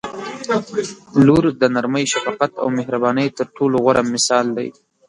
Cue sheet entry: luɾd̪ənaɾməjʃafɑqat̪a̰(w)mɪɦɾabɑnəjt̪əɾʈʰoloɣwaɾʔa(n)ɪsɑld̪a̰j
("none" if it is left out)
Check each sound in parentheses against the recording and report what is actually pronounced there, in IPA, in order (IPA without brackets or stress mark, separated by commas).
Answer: w, m